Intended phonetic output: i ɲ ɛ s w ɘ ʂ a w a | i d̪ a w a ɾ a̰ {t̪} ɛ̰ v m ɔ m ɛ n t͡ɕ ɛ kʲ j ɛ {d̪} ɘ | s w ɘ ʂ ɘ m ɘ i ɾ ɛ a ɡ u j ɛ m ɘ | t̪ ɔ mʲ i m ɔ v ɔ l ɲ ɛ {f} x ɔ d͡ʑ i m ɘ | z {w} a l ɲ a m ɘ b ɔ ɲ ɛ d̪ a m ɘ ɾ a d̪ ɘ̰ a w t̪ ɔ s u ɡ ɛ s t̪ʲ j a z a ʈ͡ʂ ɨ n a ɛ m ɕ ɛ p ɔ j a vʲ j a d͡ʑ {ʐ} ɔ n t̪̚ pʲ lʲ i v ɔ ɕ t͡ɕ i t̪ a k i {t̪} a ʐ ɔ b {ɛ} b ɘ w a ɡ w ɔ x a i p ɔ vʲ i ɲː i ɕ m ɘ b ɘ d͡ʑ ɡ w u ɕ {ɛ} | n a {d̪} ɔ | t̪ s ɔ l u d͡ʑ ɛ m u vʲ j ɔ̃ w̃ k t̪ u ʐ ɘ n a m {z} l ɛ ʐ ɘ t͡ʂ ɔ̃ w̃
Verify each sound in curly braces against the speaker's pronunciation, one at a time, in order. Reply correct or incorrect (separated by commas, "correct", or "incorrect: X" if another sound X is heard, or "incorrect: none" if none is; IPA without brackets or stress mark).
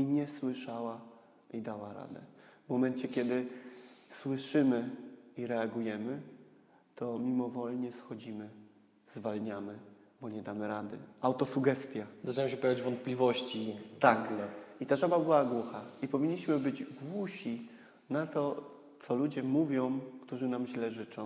incorrect: d̪, correct, incorrect: s, incorrect: v, incorrect: v, correct, incorrect: a, incorrect: i, incorrect: t̪, incorrect: ʑ